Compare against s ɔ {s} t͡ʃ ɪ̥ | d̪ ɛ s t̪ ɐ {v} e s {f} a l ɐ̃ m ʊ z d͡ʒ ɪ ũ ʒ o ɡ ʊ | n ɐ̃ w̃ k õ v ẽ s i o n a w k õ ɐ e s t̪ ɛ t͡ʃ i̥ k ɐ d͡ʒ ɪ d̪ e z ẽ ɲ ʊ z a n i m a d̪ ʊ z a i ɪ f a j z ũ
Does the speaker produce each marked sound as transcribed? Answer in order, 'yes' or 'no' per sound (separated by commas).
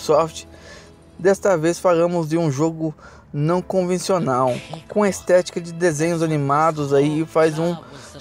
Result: no, yes, yes